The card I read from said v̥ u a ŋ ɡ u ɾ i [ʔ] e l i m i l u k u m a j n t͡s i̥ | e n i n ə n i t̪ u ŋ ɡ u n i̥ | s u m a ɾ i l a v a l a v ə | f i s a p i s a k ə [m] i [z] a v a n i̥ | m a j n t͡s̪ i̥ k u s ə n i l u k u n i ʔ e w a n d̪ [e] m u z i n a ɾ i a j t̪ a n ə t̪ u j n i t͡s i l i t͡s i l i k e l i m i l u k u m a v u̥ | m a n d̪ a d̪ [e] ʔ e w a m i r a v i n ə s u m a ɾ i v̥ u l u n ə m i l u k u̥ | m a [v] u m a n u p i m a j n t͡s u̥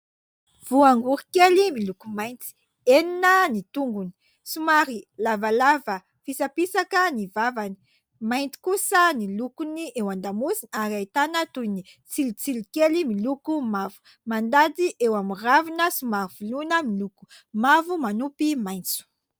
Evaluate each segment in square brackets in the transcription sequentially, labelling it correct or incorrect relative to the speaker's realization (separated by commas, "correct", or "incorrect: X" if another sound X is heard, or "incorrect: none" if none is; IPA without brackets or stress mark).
incorrect: k, incorrect: n, incorrect: v, incorrect: a, incorrect: i, correct